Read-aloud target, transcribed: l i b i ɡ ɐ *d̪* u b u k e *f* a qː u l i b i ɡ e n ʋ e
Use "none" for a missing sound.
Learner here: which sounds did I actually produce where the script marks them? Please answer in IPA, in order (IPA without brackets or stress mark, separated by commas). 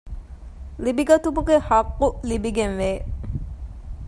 t̪, h